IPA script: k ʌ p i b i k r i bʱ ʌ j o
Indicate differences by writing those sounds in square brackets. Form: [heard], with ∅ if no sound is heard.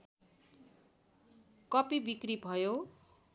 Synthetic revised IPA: k ʌ p i b i k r i bʱ ʌ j o